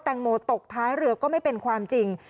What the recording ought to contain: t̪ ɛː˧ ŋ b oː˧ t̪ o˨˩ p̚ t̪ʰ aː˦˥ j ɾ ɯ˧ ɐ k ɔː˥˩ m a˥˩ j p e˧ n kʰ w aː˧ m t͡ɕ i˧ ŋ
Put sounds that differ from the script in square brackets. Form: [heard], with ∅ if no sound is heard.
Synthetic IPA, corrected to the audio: t̪ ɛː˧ ŋ [m] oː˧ t̪ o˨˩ [k̚] t̪ʰ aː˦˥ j ɾ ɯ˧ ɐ k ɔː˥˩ m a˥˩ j p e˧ n kʰ w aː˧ m t͡ɕ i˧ ŋ